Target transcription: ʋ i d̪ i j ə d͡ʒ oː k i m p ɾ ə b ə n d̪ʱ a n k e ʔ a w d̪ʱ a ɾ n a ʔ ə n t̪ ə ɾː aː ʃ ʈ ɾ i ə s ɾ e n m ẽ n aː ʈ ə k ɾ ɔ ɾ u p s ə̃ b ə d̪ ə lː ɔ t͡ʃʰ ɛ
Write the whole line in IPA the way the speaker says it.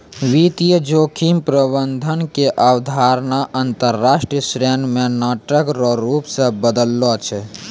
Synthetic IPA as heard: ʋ i t̪ i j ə d͡ʒ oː kʰ i m p ɾ ə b ə n d̪ʱ ə n k e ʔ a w d̪ʱ a ɾ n a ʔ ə n t̪ ə ɾː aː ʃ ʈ ɾ i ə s ɾ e n m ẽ n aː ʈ ə k ɾ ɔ ɾ u p s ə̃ b ə d̪ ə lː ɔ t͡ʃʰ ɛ